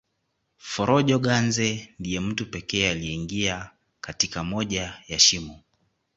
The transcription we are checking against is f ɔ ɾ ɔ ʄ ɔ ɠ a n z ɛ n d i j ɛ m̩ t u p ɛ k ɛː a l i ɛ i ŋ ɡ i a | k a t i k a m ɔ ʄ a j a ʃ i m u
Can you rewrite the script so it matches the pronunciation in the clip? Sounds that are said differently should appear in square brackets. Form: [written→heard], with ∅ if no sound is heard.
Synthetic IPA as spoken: f ɔ ɾ ɔ ʄ ɔ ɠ a n z ɛ n d i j ɛ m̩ t u p ɛ k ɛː a l i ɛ i ŋ ɡ i a | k a t i k a m ɔ ʄ a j a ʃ i m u